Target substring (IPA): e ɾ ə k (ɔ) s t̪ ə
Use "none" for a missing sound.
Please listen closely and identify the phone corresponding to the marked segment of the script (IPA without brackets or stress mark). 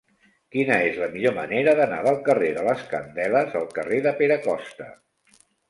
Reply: ɔ